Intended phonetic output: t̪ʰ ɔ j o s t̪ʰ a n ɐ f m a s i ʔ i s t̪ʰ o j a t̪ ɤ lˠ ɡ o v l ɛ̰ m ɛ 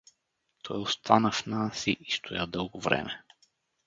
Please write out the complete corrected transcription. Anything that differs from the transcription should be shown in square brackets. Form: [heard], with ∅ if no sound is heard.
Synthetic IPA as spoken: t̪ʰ ɔ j o s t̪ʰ a n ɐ f [n] a s i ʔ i s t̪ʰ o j a [d̪] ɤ lˠ ɡ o v [ɾ] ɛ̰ m ɛ

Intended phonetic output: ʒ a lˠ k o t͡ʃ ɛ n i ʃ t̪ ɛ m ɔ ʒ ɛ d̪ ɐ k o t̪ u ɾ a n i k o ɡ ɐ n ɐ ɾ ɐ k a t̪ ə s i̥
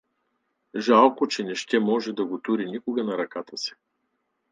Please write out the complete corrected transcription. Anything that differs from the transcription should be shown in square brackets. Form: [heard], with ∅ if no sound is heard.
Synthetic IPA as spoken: ʒ a lˠ k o t͡ʃ ɛ n [ɛ] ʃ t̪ ɛ m ɔ ʒ ɛ d̪ ɐ [ɡ] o t̪ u ɾ [i] n i k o ɡ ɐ n ɐ ɾ ɐ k a t̪ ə s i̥

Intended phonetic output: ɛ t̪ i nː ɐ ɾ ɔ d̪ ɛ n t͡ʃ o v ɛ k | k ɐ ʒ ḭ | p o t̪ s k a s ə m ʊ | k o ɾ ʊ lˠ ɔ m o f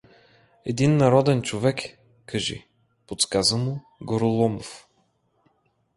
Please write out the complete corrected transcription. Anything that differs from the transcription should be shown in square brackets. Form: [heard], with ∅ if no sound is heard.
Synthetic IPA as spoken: ɛ [d̪] i nː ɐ ɾ ɔ d̪ ɛ n t͡ʃ o v ɛ k | k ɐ ʒ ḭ | p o t̪ s k a [z] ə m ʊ | [ɡ] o ɾ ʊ lˠ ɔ m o f

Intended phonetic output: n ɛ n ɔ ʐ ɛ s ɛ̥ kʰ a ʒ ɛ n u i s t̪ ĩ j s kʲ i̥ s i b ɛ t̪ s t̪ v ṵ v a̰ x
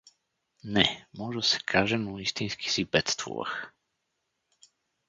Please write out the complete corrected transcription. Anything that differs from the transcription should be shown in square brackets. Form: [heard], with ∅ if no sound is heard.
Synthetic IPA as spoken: n ɛ [m] ɔ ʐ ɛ s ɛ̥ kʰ a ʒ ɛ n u i s t̪ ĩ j s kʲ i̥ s i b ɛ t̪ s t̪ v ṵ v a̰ x

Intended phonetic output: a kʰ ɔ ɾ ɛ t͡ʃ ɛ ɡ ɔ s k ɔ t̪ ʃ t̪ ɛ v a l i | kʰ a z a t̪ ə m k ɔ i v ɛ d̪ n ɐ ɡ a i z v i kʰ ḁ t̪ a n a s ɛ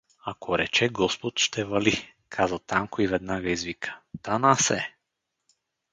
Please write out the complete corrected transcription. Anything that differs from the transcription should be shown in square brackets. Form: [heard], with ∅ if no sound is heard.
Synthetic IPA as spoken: a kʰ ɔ ɾ ɛ t͡ʃ ɛ ɡ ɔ s [p] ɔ t̪ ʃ t̪ ɛ v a l i | kʰ a z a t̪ [a] m k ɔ i v ɛ d̪ n [a] ɡ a i z v i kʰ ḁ t̪ a n a s ɛ

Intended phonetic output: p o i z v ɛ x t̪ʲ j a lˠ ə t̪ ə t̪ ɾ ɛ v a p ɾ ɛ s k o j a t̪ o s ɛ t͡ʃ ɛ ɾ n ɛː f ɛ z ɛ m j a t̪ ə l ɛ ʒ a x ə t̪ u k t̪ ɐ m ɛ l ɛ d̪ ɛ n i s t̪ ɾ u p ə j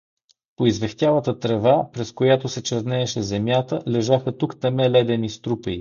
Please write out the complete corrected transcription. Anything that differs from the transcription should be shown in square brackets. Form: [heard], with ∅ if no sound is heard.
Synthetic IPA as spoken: p o i z v ɛ x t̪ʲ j a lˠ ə t̪ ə t̪ ɾ ɛ v a p ɾ ɛ s k o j a t̪ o s ɛ t͡ʃ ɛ ɾ n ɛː [ʃ] ɛ z ɛ m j a t̪ ə l ɛ ʒ a x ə t̪ u k t̪ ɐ m ɛ l ɛ d̪ ɛ n i s t̪ ɾ u p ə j

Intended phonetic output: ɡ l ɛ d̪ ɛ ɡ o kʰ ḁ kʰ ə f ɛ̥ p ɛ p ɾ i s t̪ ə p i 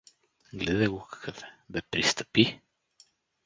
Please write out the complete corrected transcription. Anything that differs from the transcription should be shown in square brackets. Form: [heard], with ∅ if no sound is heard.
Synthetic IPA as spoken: ɡ l ɛ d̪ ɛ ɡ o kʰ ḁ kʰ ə f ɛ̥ [b] ɛ p ɾ i s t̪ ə p i

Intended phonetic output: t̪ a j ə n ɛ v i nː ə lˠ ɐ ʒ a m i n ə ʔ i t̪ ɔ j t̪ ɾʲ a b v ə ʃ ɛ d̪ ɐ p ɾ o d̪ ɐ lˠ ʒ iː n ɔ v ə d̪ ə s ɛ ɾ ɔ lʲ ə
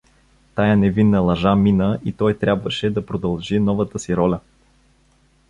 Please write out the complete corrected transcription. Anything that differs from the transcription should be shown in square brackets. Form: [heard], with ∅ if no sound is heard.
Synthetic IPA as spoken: t̪ a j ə n ɛ v i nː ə lˠ ɐ ʒ a m i n ə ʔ i t̪ ɔ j t̪ ɾʲ a b v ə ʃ ɛ d̪ ɐ p ɾ o d̪ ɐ lˠ ʒ [i] n ɔ v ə [t̪] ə s [i] ɾ ɔ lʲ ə

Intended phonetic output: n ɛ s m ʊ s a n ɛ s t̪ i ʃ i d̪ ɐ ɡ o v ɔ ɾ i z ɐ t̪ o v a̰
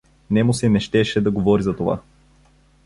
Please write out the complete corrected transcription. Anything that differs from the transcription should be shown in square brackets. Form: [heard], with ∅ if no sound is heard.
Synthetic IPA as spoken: n ɛ [∅] m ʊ s [ɛ] n ɛ [ʃ] t̪ [ɛ] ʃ [ɛ] d̪ ɐ ɡ o v ɔ ɾ i z ɐ t̪ o v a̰

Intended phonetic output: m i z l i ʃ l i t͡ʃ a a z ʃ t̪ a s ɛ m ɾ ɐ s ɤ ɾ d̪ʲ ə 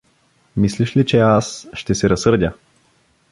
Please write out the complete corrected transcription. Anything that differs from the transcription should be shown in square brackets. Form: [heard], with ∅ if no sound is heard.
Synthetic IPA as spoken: m i [s] l i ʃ l i t͡ʃ [ɛ] a [s] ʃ t̪ [ɛ] s ɛ [∅] ɾ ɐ s ɤ ɾ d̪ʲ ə

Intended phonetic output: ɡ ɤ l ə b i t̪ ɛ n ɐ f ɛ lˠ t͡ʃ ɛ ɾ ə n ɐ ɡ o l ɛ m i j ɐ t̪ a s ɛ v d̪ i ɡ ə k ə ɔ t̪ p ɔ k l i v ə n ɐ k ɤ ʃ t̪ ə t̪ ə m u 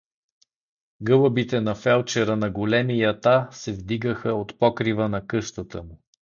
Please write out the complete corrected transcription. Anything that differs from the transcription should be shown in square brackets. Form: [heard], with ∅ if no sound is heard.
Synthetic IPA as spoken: ɡ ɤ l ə b i t̪ ɛ n ɐ f ɛ lˠ t͡ʃ ɛ ɾ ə n ɐ ɡ o l ɛ m i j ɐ t̪ a s ɛ v d̪ i ɡ ə [x] ə [o] t̪ p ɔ k [ɾ] i v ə n ɐ k ɤ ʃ t̪ ə t̪ ə m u

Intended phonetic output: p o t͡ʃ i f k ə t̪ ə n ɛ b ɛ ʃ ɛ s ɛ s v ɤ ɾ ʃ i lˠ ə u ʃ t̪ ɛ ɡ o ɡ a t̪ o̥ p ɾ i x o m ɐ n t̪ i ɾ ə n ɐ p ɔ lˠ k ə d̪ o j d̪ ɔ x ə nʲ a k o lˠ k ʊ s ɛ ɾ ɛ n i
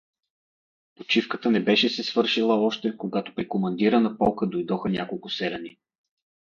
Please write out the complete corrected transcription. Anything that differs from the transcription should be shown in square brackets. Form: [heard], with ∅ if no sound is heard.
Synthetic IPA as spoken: p o t͡ʃ i f k ə t̪ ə n ɛ b ɛ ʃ ɛ s ɛ s v ɤ ɾ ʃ i lˠ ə [ɔ] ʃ t̪ ɛ [k] o ɡ a t̪ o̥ p ɾ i [k] o m ɐ n [d̪] i ɾ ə n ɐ p ɔ lˠ k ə d̪ o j d̪ ɔ x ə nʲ a k o lˠ k ʊ s ɛ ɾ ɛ n i

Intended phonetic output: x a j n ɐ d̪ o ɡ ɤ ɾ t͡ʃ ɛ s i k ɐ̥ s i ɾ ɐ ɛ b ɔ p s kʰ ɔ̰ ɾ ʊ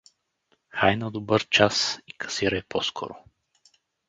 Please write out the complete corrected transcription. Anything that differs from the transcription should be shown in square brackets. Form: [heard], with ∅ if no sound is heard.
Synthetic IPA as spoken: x a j n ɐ d̪ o [b] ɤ ɾ t͡ʃ [a] s i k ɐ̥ s i ɾ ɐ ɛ [p] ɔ [∅] s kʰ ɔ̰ ɾ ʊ

